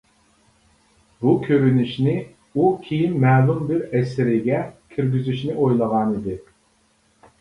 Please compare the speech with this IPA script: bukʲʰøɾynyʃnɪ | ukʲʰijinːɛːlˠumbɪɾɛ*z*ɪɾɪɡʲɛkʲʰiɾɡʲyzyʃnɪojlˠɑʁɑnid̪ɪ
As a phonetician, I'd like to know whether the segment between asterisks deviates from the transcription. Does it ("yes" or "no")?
yes